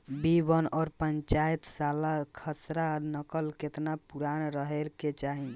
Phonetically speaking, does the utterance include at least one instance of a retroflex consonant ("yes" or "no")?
no